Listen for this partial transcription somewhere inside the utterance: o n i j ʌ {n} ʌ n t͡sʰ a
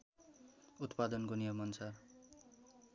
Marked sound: incorrect: m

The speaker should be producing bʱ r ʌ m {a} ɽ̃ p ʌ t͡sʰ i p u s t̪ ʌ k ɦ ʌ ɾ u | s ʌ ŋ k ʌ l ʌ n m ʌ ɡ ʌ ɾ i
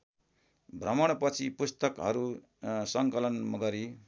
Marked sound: incorrect: ʌ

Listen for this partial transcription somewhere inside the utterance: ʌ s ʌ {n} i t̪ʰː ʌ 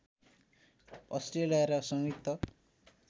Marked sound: incorrect: ŋ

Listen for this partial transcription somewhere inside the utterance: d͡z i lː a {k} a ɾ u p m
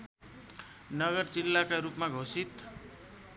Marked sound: correct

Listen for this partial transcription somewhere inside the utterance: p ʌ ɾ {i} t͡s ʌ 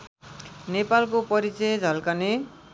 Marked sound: correct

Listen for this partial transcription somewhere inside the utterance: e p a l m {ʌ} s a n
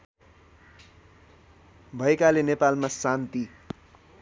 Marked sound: incorrect: a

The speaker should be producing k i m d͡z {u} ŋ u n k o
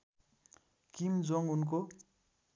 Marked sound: incorrect: o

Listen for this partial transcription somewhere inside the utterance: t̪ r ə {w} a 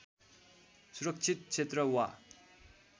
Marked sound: correct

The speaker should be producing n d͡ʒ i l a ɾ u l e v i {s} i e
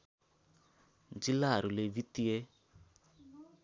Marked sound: incorrect: t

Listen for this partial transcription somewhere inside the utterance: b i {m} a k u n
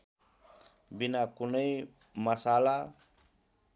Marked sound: incorrect: n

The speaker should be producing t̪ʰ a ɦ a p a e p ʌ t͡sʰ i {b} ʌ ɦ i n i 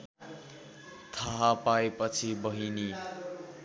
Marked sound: correct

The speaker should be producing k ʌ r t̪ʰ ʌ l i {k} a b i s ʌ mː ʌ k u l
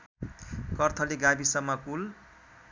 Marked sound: incorrect: ɡ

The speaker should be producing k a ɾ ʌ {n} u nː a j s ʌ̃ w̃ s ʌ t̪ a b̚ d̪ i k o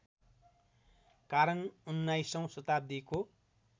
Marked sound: correct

